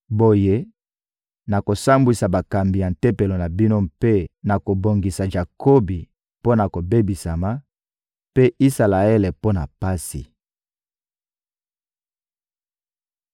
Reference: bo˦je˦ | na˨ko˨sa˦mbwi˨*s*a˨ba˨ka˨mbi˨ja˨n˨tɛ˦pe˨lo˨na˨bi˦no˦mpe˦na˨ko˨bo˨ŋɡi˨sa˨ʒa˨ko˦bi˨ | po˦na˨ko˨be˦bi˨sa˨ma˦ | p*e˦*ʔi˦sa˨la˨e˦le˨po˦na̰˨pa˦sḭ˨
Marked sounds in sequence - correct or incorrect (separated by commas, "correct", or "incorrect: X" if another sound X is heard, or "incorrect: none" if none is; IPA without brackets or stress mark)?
correct, correct